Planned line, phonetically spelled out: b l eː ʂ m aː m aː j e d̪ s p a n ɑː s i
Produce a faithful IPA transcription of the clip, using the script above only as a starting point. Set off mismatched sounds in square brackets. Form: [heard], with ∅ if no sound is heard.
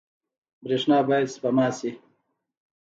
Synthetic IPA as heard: b [ɾ] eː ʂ [n] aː [b] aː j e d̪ s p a [m] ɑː s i